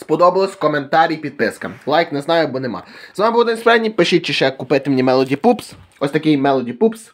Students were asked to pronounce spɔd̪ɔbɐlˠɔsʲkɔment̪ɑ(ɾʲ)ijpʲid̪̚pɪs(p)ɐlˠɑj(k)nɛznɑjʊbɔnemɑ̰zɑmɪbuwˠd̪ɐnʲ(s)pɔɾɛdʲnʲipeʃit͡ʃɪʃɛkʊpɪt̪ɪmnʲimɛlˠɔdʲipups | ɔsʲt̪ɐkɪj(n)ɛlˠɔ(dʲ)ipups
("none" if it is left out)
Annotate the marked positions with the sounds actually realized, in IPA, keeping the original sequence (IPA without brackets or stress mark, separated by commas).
ɾʲ, k, k, s, m, dʲ